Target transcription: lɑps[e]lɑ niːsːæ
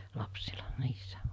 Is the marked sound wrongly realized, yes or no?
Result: yes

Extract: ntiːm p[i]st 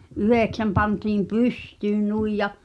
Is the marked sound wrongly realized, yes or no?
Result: yes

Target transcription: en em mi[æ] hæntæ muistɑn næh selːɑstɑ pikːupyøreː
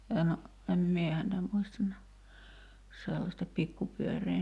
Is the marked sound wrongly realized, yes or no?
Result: yes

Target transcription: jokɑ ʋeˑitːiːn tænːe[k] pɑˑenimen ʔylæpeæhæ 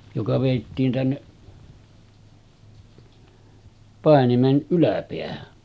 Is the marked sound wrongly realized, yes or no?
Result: yes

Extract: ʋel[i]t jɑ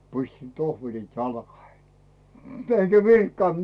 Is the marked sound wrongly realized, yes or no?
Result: no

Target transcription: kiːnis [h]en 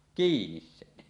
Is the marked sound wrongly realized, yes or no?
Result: yes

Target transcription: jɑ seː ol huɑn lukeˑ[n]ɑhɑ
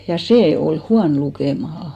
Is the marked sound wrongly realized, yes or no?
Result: yes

